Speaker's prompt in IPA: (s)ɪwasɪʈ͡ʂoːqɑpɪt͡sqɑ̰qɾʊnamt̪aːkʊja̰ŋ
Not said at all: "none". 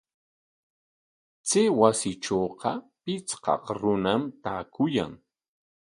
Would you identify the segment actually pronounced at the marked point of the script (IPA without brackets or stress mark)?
t͡s